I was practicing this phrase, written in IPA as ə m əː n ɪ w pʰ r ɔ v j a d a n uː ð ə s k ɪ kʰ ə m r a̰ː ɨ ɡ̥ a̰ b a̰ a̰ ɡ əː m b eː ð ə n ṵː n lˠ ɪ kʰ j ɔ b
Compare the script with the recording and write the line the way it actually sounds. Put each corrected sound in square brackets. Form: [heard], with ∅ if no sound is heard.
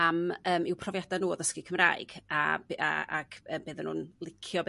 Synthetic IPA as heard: [a] m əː [m] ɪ w pʰ r ɔ v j a d a n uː ð ə s k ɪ kʰ ə m r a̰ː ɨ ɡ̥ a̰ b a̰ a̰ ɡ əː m b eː ð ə n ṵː n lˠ ɪ kʰ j ɔ b